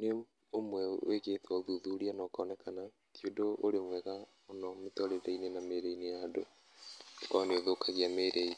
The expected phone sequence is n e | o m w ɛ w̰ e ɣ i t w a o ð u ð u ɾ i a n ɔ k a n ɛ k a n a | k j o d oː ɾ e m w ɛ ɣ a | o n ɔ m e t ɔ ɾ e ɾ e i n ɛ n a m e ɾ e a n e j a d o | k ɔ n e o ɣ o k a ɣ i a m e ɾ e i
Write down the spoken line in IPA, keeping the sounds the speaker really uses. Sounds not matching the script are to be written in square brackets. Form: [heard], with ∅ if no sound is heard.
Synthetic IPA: n e | o m w ɛ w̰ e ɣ [e] t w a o ð u ð u ɾ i a n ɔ k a n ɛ k a n a | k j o d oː ɾ e m w ɛ ɣ a | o n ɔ m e t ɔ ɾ e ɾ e i n [e] n a m e ɾ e [i] n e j a d o | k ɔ n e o [ð] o k a ɣ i a m e ɾ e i